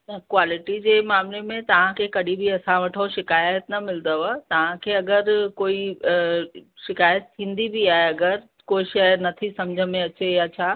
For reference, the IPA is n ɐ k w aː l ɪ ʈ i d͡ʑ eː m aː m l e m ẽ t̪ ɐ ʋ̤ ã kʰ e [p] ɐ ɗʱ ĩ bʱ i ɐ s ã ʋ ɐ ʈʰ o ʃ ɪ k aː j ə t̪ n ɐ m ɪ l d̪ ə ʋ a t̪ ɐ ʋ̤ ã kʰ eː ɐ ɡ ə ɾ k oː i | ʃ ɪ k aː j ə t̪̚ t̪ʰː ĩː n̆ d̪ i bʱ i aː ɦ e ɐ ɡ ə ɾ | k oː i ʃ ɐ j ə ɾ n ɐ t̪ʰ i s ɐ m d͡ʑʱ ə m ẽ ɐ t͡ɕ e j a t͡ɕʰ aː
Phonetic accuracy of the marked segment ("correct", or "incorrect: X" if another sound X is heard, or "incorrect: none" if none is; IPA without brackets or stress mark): incorrect: k